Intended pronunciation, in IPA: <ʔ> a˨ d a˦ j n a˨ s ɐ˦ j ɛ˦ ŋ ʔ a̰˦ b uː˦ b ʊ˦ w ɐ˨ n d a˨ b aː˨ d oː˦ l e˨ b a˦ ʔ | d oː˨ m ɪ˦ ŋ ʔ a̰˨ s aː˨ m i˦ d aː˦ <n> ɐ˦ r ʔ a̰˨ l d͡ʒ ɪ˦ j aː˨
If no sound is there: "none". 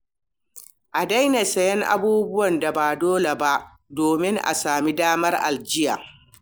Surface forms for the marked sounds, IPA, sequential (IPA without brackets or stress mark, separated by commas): ʔ, m